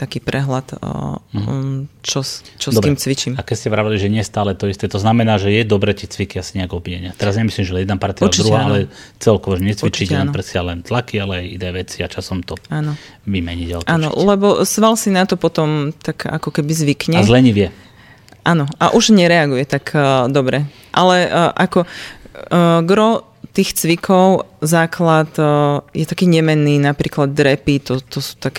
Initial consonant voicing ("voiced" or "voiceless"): voiceless